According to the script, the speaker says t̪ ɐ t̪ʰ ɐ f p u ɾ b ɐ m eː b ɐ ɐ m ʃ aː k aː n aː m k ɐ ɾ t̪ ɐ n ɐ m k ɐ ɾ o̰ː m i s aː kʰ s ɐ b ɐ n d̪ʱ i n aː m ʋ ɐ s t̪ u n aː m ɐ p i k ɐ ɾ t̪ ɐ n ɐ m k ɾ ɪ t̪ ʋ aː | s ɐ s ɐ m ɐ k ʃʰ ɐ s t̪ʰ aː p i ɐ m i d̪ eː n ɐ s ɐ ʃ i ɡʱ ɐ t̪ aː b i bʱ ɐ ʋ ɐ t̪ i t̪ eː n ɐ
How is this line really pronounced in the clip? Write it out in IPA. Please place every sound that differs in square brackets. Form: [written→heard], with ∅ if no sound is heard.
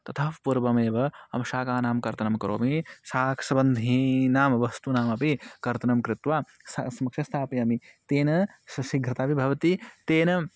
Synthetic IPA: t̪ ɐ t̪ʰ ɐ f p u ɾ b ɐ m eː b ɐ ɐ m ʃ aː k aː n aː m k ɐ ɾ t̪ ɐ n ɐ m k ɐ ɾ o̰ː m i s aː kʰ s ɐ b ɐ n d̪ʱ i n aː m ʋ ɐ s t̪ u n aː m ɐ p i k ɐ ɾ t̪ ɐ n ɐ m k ɾ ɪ t̪ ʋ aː | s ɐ s ɐ m ɐ k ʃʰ ɐ s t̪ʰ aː p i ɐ m i [d̪→t̪] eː n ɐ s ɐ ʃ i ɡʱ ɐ t̪ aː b i bʱ ɐ ʋ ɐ t̪ i t̪ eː n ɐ